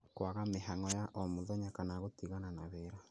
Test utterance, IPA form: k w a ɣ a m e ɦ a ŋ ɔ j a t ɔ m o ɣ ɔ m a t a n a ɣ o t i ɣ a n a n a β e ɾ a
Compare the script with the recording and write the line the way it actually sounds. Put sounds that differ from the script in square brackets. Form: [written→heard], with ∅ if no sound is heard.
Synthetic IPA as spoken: k w a ɣ a m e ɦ a ŋ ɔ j a [t→ʔ] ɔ m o [ɣ→ð] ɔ [m→ɲ] a [t→k] a n a ɣ o t i ɣ a n a n a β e ɾ a